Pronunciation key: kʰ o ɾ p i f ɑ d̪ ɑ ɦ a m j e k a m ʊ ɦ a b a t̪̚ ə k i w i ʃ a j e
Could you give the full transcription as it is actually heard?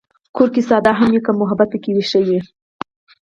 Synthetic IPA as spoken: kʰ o ɾ k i s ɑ d̪ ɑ ɦ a m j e k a m ʊ ɦ a b a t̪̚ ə k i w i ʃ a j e